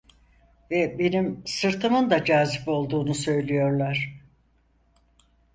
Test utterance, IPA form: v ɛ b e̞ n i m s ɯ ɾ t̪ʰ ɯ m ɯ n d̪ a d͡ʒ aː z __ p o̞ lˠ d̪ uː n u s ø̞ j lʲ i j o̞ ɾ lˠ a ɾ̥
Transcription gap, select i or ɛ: i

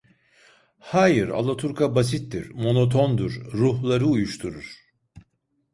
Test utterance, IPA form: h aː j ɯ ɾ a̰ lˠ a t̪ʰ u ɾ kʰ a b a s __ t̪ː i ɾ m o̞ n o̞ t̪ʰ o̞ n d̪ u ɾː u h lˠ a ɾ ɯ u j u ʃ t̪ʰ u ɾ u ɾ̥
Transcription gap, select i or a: i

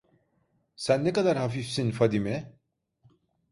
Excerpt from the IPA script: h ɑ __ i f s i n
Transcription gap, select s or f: f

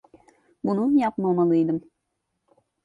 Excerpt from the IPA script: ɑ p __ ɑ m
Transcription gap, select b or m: m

